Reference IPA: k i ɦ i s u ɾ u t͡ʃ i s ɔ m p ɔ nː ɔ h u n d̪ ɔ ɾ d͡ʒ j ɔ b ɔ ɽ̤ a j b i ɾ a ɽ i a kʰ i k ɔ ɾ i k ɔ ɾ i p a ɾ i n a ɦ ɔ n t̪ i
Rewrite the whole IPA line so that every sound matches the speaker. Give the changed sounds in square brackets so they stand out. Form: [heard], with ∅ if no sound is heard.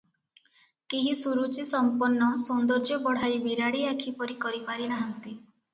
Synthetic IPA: k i ɦ i s u ɾ u t͡ʃ i s ɔ m p ɔ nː ɔ [s] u n d̪ ɔ ɾ d͡ʒ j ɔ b ɔ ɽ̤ a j b i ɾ a ɽ i a kʰ i [p] ɔ ɾ i k ɔ ɾ i p a ɾ i n a ɦ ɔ n t̪ i